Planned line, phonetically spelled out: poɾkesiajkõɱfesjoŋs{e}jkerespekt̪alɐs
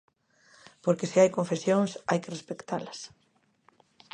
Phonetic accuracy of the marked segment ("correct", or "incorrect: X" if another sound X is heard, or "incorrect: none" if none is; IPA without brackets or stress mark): incorrect: a